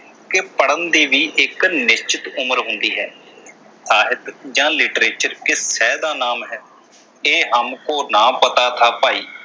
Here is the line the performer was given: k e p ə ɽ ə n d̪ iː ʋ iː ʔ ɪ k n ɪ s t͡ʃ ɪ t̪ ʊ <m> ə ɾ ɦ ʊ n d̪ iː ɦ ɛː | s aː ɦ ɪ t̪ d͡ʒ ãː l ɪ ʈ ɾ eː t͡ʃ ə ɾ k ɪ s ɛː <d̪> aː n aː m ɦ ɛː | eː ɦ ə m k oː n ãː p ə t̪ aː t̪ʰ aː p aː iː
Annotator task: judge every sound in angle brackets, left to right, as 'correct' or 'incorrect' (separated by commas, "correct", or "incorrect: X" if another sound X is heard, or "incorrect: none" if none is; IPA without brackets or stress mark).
correct, correct